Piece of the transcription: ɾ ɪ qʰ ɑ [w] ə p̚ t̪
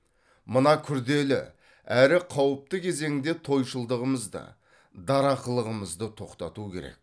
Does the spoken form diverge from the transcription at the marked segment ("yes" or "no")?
no